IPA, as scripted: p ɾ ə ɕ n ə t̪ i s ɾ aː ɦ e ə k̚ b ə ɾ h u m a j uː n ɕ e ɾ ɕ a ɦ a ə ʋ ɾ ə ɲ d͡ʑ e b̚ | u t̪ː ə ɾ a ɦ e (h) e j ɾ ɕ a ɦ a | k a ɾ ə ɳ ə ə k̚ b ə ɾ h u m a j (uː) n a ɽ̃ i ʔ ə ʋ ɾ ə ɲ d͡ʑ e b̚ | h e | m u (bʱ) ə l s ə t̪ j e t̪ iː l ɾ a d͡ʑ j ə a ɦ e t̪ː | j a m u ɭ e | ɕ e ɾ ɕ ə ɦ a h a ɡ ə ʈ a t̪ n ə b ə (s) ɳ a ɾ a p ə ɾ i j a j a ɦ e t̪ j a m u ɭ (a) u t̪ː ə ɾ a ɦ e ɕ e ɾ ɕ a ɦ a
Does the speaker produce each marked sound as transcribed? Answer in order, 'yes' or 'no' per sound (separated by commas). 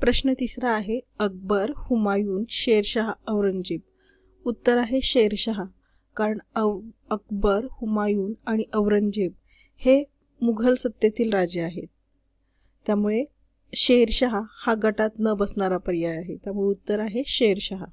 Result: no, yes, no, yes, no